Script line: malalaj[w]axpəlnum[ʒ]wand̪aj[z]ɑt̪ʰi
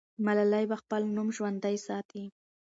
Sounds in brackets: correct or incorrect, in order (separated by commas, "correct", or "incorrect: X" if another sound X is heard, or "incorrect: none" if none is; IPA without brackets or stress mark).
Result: incorrect: b, correct, incorrect: s